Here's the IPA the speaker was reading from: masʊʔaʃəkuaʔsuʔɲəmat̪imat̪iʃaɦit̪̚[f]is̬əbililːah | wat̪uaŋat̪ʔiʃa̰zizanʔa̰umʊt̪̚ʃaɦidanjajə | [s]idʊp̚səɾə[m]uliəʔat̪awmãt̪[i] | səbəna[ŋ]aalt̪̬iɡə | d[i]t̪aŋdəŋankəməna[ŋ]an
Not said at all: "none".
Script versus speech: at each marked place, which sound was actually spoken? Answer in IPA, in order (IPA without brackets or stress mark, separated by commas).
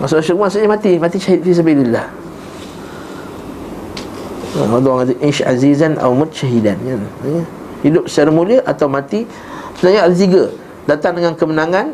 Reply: f, h, m, i, ɲ, a, ŋ